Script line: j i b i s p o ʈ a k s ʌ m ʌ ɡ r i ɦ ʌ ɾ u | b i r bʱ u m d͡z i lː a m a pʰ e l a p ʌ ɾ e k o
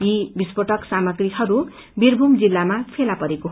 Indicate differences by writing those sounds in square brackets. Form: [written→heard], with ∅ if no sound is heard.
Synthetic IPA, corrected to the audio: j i b i s p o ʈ [a→ʌ] k s [ʌ→a] m ʌ ɡ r i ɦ ʌ ɾ u | b i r bʱ u m d͡z i lː a m a pʰ e l a p ʌ ɾ e k o